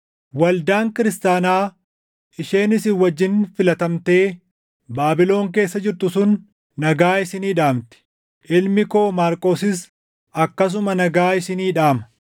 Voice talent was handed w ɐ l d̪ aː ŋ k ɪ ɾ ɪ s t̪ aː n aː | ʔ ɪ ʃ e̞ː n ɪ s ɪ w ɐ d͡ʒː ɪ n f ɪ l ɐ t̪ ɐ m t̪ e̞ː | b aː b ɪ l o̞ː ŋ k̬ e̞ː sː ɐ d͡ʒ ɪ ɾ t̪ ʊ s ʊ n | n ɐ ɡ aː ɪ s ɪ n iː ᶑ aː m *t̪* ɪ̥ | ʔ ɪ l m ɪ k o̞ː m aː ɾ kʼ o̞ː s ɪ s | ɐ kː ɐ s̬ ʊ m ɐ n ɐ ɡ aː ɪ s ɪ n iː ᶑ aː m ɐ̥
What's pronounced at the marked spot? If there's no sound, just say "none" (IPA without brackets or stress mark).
t̪